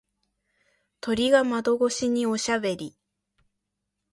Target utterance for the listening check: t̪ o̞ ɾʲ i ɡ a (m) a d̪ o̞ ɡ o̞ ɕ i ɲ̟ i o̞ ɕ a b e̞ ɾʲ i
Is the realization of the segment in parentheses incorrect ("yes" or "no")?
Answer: no